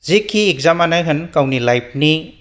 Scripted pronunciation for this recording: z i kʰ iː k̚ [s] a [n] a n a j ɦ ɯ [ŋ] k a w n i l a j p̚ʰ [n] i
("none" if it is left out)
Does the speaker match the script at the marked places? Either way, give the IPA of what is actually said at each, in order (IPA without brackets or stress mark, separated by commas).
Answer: z, m, n, n